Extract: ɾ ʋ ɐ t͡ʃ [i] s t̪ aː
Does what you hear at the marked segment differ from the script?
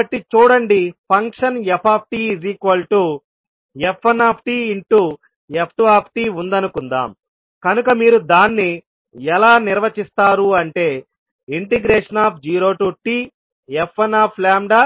no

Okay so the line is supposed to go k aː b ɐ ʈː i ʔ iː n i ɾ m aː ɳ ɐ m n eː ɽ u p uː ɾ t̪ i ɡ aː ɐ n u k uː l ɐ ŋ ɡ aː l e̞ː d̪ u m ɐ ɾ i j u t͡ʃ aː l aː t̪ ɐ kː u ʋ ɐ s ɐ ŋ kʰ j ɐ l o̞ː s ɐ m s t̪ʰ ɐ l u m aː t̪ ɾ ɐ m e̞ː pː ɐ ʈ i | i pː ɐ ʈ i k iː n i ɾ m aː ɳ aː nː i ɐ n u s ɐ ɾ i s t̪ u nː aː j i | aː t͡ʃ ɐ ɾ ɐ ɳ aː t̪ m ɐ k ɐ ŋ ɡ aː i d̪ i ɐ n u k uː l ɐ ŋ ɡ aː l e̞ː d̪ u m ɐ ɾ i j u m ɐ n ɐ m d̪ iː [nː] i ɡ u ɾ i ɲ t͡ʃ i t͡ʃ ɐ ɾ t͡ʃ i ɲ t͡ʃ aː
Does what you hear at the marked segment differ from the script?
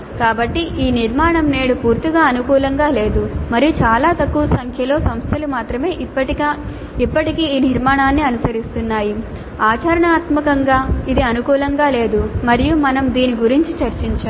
yes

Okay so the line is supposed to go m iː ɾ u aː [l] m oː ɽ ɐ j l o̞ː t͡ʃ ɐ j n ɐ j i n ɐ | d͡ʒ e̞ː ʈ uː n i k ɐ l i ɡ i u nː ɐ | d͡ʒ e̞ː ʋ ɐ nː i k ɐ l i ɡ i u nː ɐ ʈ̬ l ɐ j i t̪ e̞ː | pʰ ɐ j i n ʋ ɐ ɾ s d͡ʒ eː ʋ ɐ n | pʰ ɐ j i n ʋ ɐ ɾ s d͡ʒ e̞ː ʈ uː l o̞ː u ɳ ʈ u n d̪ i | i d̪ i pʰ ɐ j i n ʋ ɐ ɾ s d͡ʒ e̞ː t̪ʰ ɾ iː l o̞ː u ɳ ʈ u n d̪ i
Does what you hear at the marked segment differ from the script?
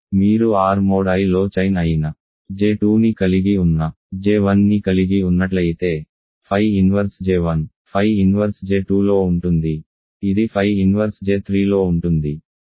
yes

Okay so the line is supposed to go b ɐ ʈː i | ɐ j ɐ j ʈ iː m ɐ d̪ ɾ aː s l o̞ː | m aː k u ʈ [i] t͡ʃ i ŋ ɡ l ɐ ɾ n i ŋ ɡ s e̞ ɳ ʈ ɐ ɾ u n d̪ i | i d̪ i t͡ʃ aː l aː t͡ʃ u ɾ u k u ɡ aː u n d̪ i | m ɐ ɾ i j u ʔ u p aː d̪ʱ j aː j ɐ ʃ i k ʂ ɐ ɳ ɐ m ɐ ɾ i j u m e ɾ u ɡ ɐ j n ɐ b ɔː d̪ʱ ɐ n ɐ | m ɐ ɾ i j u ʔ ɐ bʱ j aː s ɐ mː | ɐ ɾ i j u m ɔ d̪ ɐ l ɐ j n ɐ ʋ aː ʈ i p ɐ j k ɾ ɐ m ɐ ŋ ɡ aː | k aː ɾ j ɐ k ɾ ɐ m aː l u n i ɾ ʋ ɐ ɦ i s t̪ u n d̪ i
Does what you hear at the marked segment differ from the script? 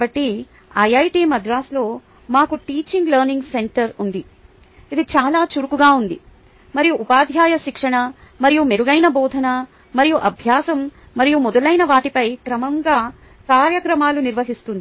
yes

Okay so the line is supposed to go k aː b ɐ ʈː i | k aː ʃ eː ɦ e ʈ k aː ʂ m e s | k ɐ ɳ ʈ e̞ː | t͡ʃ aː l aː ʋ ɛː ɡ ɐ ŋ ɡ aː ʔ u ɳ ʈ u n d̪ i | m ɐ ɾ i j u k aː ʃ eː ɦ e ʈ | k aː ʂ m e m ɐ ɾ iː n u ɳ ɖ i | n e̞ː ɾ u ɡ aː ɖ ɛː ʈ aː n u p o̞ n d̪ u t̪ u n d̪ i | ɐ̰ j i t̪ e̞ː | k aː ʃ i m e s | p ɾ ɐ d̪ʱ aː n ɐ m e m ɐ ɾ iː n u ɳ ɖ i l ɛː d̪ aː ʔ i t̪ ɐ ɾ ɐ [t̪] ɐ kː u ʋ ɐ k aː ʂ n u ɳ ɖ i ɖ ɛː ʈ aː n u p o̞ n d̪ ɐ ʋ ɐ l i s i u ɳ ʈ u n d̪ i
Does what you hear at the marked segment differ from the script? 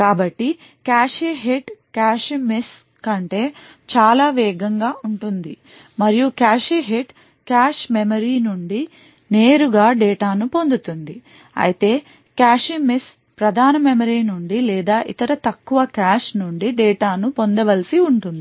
no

